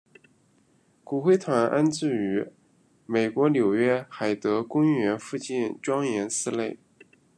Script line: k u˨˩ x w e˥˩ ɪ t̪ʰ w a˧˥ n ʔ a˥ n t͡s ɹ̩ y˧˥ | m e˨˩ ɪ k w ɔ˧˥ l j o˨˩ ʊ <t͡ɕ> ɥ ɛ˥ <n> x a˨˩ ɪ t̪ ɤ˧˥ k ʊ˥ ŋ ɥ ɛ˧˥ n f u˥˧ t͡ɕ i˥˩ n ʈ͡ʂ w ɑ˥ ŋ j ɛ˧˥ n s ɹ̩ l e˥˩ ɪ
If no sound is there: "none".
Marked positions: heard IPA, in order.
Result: none, none

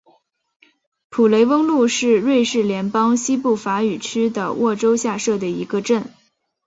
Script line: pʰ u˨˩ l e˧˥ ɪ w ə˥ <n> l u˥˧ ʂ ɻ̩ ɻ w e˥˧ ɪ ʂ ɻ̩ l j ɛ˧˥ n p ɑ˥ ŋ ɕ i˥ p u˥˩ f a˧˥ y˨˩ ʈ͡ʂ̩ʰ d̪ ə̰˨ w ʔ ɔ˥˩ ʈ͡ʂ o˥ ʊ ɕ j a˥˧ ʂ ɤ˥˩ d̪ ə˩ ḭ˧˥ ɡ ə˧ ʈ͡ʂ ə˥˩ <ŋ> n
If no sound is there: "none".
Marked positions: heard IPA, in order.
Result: ŋ, none

